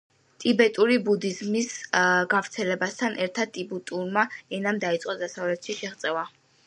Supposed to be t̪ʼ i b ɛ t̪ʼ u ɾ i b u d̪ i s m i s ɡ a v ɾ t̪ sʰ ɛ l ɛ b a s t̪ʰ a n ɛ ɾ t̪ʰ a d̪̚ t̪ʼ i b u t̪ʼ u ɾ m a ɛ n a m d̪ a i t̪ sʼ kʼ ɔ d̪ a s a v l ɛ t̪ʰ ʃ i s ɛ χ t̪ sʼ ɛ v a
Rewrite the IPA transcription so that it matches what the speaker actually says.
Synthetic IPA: t̪ʼ i b ɛ t̪ʼ u ɾ i b u d̪ i z m i s ɡ a v ɾ t̪ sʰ ɛ l ɛ b a s t̪ʰ a n ɛ ɾ t̪ʰ a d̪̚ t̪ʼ i b u t̪ʼ u ɾ m a ɛ n a m d̪ a i t̪ sʼ qʼ ɔ d̪ a s a v l ɛ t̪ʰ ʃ i ʃ ɛ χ t̪ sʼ ɛ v a